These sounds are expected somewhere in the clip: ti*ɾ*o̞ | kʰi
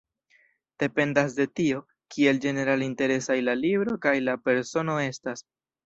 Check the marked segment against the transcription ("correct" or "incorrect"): incorrect